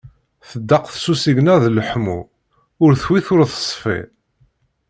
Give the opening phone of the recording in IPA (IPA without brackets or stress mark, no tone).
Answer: θ